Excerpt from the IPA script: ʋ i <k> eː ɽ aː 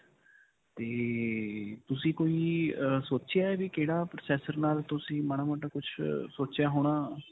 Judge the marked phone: correct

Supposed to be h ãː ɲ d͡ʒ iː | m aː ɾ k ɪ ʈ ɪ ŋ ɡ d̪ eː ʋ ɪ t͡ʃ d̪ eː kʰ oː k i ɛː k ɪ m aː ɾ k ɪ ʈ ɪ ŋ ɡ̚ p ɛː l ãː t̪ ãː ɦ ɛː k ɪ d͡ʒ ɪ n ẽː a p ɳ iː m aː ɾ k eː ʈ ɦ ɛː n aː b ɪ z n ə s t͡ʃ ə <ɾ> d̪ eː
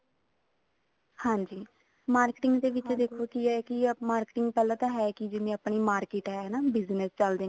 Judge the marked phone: incorrect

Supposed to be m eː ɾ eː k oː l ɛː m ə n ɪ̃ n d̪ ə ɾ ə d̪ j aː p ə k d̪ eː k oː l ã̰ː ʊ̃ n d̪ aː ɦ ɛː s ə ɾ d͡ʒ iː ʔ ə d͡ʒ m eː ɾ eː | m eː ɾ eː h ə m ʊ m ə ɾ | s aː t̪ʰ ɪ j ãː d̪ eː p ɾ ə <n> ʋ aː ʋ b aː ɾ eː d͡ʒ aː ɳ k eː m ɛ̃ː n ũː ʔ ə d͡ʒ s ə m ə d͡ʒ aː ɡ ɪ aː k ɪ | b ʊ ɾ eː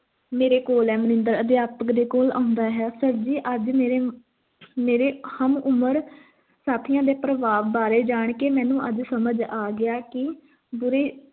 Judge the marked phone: incorrect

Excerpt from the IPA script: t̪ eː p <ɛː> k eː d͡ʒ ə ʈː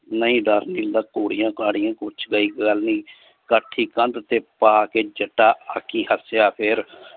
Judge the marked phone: incorrect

